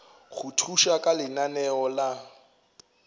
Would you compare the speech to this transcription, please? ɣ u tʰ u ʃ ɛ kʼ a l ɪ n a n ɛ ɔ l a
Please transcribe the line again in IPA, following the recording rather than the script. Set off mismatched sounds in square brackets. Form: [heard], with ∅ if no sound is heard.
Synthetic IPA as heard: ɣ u tʰ u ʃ [a] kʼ a l ɪ n a n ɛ ɔ l a